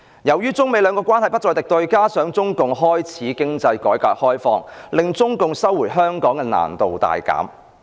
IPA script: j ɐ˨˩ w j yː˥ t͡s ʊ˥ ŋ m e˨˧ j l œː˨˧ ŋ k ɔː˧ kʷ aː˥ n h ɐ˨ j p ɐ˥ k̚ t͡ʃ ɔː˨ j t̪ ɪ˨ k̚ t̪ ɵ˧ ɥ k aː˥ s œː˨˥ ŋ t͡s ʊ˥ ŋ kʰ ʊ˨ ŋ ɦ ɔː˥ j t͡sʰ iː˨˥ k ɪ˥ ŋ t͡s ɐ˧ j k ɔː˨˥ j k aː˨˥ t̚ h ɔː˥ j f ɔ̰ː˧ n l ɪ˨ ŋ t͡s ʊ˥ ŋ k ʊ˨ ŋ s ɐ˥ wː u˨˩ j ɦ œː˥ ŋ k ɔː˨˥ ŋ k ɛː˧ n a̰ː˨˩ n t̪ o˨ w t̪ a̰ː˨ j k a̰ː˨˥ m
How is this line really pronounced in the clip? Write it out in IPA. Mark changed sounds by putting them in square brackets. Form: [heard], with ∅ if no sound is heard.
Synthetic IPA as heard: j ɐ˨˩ w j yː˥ t͡s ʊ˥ ŋ m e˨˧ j l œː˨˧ ŋ k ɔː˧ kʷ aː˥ n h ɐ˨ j p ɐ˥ [t̚] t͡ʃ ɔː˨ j t̪ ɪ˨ k̚ t̪ ɵ˧ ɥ k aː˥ s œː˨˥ ŋ t͡s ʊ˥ ŋ [k] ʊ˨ ŋ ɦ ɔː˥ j t͡sʰ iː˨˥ k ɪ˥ ŋ t͡s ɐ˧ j k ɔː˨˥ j k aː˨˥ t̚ h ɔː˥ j f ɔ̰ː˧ [ŋ] l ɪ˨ ŋ t͡s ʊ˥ ŋ k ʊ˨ ŋ s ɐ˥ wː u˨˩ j ɦ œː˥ ŋ k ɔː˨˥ ŋ k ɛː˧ n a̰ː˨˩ n t̪ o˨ w t̪ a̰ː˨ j k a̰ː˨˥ m